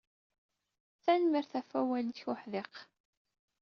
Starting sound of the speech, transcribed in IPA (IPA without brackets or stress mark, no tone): θ